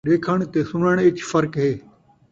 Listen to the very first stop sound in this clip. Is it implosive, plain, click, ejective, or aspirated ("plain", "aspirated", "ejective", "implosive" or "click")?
implosive